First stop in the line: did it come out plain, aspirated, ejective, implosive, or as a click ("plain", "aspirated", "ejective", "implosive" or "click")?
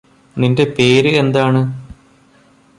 plain